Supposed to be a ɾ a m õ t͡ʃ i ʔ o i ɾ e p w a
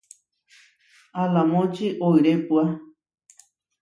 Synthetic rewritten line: a l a m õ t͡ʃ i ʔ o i ɾ e p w a

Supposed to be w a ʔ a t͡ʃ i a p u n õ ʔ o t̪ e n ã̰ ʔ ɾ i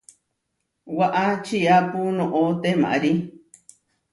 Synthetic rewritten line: w a ʔ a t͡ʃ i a p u n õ ʔ o t̪ e m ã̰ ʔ ɾ i

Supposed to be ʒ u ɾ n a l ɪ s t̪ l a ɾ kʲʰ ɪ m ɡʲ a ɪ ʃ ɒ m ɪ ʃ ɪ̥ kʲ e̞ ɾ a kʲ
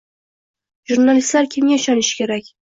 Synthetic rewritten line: ʒ u ɾ n a l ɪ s t̪ l a ɾ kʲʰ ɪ m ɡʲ a ɪ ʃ ɒ n ɪ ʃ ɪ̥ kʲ e̞ ɾ a kʲ

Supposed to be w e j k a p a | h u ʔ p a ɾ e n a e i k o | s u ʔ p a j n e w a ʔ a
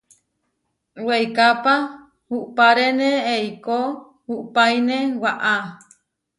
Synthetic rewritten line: w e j k a p a | h u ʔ p a ɾ e n e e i k o | h u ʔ p a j n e w a ʔ a

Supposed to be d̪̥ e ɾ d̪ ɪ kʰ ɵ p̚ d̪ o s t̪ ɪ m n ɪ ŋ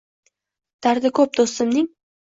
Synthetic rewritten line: d̪̥ a ɾ d̪ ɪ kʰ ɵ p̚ d̪ o s t̪ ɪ m n ɪ ŋ

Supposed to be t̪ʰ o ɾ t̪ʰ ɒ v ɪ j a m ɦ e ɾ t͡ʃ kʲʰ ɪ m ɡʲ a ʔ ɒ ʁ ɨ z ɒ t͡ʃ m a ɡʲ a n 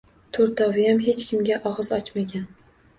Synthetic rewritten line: t̪ʰ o ɾ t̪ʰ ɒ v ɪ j a m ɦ e t͡ʃ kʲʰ ɪ m ɡʲ a ʔ ɒ ʁ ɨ z ɒ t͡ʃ m a ɡʲ a n

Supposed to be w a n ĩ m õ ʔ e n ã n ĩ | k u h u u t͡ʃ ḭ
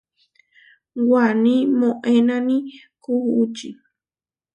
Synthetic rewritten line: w a n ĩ m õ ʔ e n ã n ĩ | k u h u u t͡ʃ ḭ

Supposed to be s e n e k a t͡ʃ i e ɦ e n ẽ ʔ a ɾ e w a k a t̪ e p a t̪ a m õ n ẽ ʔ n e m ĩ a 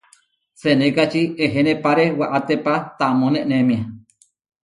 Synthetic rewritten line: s e n e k a t͡ʃ i e ɦ e n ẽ p a ɾ e w a ʔ a t̪ e p a t̪ a m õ n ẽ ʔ n e m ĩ a

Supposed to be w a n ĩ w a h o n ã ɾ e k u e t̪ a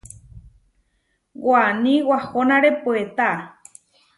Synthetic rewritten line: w a n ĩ w a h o n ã ɾ e p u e t̪ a

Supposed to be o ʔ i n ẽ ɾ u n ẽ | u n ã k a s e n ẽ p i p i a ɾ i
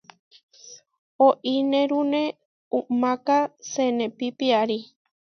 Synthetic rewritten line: o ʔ i n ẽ ɾ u n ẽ | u m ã k a s e n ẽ p i p i a ɾ i

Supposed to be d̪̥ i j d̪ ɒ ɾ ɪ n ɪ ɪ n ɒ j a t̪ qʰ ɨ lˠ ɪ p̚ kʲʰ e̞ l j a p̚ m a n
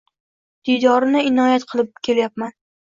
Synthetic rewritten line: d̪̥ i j d̪ ɒ ɾ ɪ n ɪ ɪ n ɒ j a t̪ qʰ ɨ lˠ ɪ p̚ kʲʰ e̞ l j a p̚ m a n

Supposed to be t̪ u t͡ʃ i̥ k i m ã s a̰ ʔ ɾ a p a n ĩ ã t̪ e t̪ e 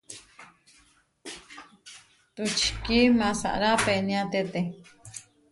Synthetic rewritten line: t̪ u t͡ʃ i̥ k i m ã s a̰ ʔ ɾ a p e n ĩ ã t̪ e t̪ e

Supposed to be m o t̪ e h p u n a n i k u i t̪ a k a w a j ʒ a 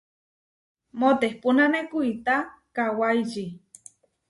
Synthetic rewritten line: m o t̪ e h p u n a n e k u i t̪ a k a w a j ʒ i

